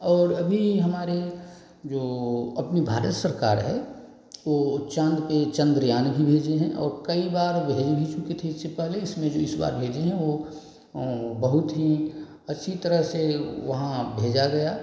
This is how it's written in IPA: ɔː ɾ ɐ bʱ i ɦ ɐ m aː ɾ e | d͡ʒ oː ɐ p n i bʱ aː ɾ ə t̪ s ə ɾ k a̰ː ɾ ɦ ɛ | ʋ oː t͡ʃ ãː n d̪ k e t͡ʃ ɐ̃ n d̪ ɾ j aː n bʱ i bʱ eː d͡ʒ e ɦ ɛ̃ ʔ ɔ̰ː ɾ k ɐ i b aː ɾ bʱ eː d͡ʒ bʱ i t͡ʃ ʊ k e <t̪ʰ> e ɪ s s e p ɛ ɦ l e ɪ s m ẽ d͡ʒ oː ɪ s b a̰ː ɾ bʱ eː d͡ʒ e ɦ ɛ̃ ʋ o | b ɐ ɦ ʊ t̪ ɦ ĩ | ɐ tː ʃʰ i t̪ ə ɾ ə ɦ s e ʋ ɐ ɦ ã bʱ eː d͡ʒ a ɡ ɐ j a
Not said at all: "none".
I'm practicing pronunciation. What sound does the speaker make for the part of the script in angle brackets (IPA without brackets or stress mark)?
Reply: t̪ʰ